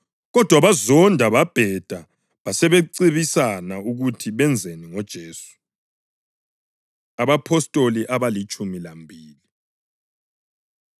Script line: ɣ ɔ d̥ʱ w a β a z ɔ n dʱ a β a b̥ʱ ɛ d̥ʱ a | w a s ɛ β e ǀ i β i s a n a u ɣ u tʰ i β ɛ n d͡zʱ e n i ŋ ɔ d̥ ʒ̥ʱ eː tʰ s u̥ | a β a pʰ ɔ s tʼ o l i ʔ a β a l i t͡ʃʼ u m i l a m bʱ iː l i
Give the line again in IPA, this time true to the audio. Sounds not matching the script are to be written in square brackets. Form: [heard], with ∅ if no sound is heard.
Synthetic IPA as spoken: ɣ ɔ d̥ʱ w a β a z ɔ n dʱ a β a b̥ʱ ɛ d̥ʱ a | [β] a s ɛ β e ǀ i β i s a n a u ɣ u tʰ i β ɛ n d͡zʱ e n i ŋ ɔ d̥ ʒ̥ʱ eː [∅] s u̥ | a β a pʰ ɔ s tʼ o l i ʔ a β a l i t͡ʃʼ u m i l a m bʱ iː l i